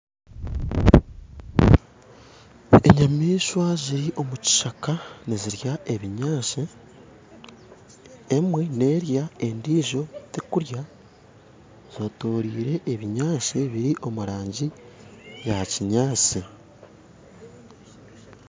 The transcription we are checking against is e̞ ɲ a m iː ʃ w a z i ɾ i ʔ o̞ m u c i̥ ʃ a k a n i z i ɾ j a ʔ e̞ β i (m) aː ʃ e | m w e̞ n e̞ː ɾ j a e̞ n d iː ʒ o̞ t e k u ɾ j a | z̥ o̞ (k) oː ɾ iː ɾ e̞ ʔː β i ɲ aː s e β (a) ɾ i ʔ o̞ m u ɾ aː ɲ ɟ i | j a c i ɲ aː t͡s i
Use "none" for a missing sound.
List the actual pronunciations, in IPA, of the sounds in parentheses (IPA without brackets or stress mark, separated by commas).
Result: ɲ, t, i